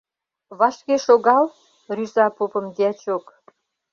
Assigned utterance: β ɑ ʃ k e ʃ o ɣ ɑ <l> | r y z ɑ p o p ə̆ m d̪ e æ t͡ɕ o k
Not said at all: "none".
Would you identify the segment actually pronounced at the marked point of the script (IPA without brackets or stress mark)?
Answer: l